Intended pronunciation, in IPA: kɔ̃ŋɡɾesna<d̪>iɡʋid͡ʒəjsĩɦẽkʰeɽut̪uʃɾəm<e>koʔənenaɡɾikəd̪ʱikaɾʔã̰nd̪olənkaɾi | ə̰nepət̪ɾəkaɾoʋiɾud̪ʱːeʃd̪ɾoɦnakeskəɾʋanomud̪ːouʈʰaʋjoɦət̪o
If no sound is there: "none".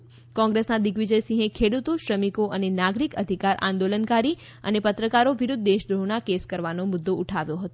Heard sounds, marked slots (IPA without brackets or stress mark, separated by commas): d̪, i